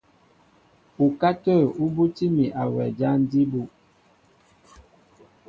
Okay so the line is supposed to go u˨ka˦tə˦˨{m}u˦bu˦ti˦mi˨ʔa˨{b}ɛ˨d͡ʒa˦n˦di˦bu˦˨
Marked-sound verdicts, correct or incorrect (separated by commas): incorrect, incorrect